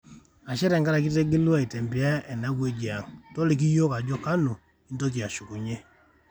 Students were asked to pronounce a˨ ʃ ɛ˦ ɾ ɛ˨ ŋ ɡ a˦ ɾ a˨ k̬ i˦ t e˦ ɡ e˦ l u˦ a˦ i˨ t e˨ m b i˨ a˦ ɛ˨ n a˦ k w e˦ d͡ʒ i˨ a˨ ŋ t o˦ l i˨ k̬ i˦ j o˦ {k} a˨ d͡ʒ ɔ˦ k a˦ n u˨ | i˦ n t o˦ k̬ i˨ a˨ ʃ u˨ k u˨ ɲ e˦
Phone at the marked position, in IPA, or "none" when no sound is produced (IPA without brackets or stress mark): k